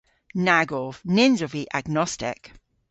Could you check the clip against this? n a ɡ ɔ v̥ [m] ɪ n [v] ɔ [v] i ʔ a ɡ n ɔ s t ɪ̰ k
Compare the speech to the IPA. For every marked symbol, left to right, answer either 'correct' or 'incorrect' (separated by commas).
incorrect, incorrect, correct